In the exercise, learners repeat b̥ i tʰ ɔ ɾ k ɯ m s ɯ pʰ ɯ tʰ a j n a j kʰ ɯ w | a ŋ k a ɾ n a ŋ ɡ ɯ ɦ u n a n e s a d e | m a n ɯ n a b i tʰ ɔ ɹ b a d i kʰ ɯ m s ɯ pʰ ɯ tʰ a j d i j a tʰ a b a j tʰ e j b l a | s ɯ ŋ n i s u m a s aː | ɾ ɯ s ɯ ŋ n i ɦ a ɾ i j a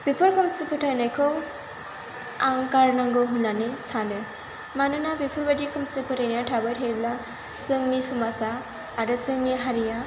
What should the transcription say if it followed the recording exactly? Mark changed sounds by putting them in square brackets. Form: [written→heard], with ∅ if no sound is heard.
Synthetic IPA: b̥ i [tʰ→pʰ] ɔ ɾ k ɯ m s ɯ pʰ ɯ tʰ a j n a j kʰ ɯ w | a ŋ k a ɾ n a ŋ ɡ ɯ ɦ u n a n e s a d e | m a n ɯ n a b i [tʰ→pʰ] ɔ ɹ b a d i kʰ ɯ m s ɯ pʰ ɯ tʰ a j [d→n] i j a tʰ a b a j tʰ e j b l a | s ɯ ŋ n i s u m a s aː | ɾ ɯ s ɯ ŋ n i ɦ a ɾ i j a